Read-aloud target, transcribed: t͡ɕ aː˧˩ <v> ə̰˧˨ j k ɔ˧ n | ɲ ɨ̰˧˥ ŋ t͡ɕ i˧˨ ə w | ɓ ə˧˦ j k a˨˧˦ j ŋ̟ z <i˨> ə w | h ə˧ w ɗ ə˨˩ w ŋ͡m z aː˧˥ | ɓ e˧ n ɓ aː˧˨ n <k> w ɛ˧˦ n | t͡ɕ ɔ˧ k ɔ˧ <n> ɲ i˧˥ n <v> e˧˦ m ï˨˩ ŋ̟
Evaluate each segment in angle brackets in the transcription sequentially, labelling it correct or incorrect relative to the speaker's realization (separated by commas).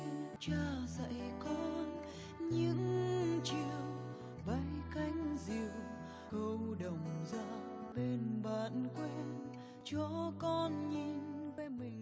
incorrect, correct, correct, correct, correct